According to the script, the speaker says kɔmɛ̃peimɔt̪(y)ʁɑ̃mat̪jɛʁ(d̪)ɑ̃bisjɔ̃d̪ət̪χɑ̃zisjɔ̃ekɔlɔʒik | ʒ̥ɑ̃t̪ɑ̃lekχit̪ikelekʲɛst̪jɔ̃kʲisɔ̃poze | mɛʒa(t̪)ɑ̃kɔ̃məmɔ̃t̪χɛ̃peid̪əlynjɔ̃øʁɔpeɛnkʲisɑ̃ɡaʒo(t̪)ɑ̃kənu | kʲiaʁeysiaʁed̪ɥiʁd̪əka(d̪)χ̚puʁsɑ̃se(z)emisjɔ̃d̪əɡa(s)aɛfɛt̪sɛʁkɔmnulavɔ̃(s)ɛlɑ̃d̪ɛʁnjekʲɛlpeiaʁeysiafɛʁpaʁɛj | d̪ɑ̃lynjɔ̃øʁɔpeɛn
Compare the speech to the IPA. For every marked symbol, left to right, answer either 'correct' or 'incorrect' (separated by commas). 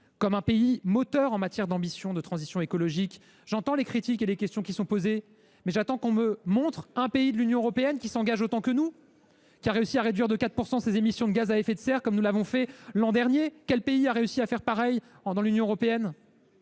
incorrect, correct, correct, correct, incorrect, correct, incorrect, incorrect